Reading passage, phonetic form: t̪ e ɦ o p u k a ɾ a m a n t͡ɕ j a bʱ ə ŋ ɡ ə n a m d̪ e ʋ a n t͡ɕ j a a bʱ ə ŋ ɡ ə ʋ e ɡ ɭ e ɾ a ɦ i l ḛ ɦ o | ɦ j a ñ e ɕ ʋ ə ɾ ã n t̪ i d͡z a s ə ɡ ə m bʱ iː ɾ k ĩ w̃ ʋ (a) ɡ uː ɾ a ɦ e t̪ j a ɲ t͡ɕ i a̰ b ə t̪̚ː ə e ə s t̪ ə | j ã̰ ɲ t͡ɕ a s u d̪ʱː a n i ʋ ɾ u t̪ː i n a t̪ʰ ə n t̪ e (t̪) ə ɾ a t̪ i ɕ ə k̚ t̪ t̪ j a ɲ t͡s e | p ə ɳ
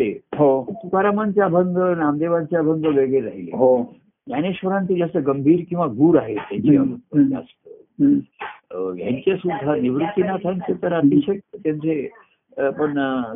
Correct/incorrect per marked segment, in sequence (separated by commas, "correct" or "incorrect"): correct, correct